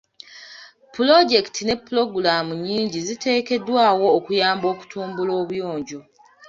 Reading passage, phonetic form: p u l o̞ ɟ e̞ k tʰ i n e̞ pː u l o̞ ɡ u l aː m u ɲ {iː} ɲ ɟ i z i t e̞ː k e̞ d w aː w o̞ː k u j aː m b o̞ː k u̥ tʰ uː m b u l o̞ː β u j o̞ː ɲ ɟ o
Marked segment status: correct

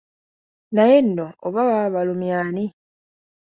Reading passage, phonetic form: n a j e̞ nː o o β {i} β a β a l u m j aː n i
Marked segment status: incorrect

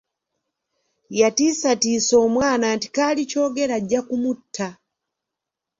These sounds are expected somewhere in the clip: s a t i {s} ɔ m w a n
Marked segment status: correct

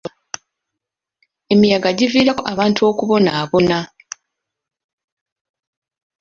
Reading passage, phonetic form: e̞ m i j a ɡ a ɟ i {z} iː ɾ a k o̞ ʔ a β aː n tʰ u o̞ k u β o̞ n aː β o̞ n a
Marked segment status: incorrect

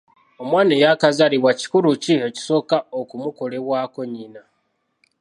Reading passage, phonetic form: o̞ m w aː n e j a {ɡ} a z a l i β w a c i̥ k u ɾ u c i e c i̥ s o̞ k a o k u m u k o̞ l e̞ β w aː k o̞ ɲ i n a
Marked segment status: incorrect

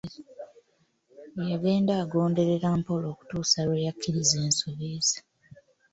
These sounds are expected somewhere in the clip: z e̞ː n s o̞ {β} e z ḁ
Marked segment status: correct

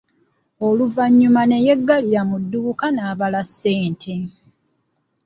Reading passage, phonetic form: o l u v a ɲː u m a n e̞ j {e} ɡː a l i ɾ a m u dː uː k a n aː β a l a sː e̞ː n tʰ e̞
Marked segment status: correct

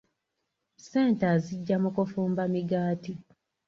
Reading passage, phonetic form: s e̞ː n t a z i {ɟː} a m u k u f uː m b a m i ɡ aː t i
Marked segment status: correct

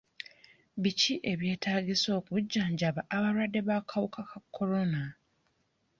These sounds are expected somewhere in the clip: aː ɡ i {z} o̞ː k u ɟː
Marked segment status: incorrect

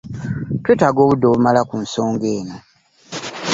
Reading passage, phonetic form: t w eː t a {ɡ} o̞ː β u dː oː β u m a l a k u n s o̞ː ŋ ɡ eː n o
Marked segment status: correct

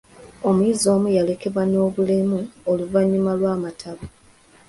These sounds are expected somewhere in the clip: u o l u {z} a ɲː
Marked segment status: incorrect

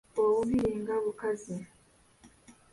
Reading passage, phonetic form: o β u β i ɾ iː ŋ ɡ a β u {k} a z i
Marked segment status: correct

